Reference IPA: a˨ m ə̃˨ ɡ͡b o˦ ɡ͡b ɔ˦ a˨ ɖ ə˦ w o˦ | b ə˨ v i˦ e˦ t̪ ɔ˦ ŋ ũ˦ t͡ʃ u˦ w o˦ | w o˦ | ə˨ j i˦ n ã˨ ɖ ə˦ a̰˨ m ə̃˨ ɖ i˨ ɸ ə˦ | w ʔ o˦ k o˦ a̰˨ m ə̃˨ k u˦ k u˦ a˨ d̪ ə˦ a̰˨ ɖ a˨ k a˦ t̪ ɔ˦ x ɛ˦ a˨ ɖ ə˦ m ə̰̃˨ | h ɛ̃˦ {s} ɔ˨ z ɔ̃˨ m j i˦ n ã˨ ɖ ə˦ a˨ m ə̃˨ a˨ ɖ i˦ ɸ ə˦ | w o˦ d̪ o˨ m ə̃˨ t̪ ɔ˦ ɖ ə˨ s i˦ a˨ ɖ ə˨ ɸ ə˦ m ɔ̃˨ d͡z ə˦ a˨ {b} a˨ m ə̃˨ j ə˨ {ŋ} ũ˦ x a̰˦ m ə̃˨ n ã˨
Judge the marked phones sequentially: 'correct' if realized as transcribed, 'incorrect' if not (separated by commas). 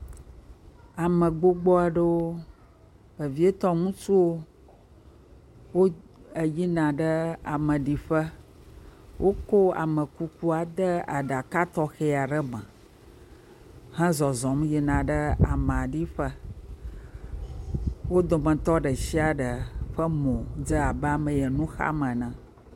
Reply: incorrect, correct, incorrect